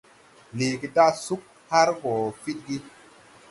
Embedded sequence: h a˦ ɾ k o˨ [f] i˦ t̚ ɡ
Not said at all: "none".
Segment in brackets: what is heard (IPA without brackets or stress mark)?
f